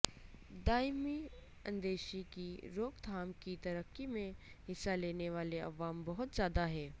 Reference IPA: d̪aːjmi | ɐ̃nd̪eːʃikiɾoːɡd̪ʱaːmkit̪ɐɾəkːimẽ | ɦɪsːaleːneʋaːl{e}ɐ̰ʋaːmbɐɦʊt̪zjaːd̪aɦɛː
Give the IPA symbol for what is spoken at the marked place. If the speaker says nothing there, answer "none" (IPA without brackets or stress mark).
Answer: e